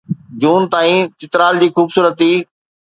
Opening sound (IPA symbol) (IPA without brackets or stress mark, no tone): d͡ʑ